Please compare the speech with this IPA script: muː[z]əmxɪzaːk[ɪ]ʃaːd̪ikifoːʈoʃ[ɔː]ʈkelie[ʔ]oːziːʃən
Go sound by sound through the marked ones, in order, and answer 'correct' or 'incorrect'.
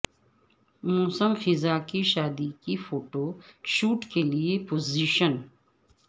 incorrect: s, incorrect: i, incorrect: uː, incorrect: p

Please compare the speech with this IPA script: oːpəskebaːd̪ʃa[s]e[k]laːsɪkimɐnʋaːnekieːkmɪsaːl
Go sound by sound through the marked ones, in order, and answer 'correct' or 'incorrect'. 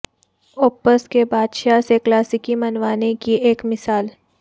correct, correct

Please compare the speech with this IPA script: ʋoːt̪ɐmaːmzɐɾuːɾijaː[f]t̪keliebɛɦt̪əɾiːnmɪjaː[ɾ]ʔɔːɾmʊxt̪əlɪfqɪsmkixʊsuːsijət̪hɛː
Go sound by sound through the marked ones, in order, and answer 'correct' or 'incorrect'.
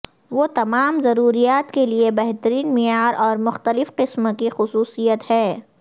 incorrect: none, correct

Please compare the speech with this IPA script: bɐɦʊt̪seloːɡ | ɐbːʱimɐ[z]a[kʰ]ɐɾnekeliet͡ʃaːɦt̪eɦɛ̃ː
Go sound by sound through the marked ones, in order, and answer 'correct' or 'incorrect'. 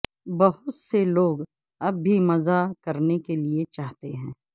correct, incorrect: k

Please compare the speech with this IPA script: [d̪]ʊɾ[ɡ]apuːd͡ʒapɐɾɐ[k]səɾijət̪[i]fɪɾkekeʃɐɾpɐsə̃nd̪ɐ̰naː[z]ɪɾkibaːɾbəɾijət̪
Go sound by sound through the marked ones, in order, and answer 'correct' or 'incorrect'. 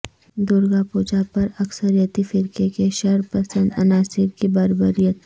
correct, correct, correct, correct, incorrect: s

